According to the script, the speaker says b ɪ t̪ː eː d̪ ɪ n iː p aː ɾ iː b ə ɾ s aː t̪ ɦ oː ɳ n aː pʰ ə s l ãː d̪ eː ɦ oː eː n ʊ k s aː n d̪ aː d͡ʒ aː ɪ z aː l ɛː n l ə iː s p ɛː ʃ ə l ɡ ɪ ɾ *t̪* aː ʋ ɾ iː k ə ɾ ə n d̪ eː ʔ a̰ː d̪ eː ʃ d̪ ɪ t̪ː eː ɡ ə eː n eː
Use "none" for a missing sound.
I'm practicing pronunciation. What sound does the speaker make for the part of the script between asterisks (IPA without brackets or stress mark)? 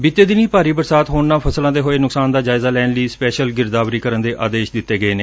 d̪